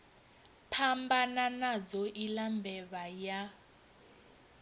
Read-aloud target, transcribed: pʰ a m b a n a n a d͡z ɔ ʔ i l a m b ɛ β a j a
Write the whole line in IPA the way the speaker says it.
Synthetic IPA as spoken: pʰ a m b a n a n a d͡z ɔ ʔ i l a m b ɛ β a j a